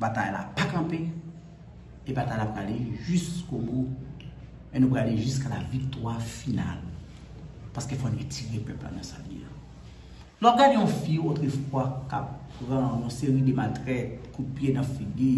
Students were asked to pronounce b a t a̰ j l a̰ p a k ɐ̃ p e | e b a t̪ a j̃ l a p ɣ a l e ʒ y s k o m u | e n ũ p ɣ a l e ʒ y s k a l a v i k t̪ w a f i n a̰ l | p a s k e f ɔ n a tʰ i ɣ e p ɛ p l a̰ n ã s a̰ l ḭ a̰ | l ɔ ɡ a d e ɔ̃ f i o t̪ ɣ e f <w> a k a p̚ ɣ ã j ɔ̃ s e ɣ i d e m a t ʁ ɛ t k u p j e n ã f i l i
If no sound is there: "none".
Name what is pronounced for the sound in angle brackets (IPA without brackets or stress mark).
w